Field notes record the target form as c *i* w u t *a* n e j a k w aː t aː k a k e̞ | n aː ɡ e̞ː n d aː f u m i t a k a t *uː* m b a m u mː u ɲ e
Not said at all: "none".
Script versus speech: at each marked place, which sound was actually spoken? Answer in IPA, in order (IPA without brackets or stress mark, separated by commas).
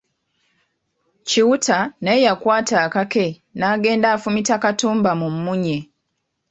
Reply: i, a, uː